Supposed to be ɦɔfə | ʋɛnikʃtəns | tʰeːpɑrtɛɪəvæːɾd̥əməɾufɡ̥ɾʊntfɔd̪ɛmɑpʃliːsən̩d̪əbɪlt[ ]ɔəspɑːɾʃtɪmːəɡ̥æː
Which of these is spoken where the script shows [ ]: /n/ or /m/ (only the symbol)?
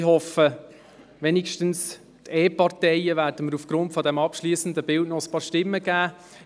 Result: n